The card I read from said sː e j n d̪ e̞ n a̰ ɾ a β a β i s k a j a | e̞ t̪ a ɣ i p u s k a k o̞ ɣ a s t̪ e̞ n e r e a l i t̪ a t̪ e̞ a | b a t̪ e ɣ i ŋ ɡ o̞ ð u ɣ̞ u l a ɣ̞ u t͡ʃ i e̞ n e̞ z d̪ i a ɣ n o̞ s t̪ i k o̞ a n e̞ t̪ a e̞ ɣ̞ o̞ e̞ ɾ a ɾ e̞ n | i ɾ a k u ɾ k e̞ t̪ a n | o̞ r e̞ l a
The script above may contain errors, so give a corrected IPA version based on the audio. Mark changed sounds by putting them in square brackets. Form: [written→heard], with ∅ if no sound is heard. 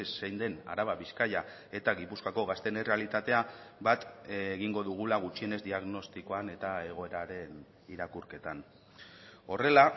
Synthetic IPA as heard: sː e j n d̪ e̞ n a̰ ɾ a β a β i s k a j a | e̞ t̪ a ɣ i p u s k a k o̞ ɣ a s t̪ e̞ n e r e a l i t̪ a t̪ e̞ a | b a t̪ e ɣ i ŋ ɡ o̞ ð u ɣ̞ u l a ɣ̞ u t͡ʃ i e̞ n e̞ z d̪ i a ɣ n o̞ s t̪ i k o̞ a n e̞ t̪ a e̞ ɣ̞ o̞ e̞ ɾ a ɾ e̞ n | i ɾ a k u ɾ k e̞ t̪ a n | o̞ r e̞ l a

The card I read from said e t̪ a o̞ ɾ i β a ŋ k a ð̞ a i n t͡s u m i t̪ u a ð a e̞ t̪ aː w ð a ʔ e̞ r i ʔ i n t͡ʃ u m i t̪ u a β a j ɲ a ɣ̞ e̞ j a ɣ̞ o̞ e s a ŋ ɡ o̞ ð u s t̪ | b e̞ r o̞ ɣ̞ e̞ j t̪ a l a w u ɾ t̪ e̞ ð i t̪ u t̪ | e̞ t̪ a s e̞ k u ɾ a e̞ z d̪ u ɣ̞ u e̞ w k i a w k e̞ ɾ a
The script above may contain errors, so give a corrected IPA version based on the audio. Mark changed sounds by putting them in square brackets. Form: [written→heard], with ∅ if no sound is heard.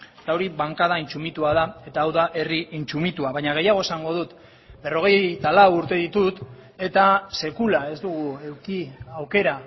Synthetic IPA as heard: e t̪ a o̞ ɾ i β a ŋ k a ð̞ a i n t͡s u m i t̪ u a ð a e̞ t̪ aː w ð a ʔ e̞ r i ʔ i n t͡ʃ u m i t̪ u a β a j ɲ a ɣ̞ e̞ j a ɣ̞ o̞ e s a ŋ ɡ o̞ ð u [s→∅] t̪ | b e̞ r o̞ ɣ̞ e̞ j t̪ a l a w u ɾ t̪ e̞ ð i t̪ u t̪ | e̞ t̪ a s e̞ k u [ɾ→l] a e̞ z d̪ u ɣ̞ u e̞ w k i a w k e̞ ɾ a

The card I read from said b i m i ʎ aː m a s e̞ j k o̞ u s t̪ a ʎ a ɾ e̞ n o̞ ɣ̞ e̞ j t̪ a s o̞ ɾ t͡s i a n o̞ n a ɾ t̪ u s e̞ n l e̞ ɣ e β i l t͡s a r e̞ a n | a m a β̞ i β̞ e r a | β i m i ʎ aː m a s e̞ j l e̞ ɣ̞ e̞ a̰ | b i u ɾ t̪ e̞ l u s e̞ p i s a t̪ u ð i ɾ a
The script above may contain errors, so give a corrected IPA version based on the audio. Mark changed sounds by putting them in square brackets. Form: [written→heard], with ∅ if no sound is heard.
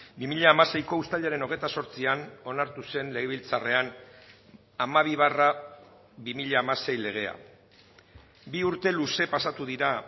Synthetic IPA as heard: b i m i ʎ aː m a s e̞ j k o̞ u s t̪ a ʎ a ɾ e̞ n o̞ ɣ̞ e̞ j t̪ a s o̞ ɾ t͡s i a n o̞ n a ɾ t̪ u s e̞ n l e̞ ɣ e β i l t͡s a r e̞ a n | a m a β̞ i β̞ [e→a] r a | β i m i ʎ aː m a s e̞ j l e̞ ɣ̞ e̞ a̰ | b i u ɾ t̪ e̞ l u s e̞ p [i→a] s a t̪ u ð i ɾ a

